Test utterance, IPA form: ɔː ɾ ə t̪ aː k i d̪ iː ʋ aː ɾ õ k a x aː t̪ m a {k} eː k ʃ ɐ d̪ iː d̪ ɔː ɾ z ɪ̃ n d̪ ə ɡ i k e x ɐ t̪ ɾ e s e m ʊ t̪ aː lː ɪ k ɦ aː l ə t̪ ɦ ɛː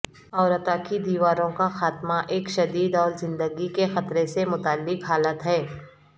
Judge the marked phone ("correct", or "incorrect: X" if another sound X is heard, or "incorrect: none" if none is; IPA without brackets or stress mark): incorrect: ʔ